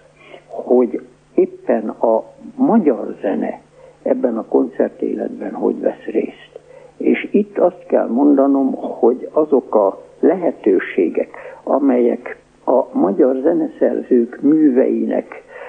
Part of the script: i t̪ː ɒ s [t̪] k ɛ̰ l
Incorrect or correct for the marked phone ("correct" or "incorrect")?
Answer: correct